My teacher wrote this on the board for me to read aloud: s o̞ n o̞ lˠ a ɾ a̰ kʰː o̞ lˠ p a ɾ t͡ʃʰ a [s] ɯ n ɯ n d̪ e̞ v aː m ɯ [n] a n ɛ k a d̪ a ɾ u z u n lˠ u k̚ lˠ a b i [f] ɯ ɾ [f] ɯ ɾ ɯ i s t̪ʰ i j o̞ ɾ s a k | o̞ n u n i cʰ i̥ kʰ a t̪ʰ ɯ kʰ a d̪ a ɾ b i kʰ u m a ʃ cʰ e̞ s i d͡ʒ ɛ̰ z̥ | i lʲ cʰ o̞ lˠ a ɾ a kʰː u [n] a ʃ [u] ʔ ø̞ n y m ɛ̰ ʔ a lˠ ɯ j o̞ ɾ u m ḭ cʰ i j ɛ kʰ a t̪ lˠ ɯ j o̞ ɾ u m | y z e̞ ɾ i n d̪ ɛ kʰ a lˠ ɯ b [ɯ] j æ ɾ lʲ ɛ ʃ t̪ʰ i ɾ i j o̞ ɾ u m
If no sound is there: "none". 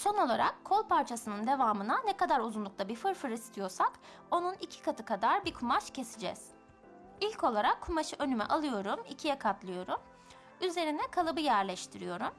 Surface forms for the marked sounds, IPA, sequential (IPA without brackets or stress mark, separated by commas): s, n, f, f, m, ɯ, ɯ